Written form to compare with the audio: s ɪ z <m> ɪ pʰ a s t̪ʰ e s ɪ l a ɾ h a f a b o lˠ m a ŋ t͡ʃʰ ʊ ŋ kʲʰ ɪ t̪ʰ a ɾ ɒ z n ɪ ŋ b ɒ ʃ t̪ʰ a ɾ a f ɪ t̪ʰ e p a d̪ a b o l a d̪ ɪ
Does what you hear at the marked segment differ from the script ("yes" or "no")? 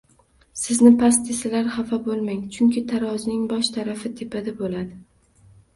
yes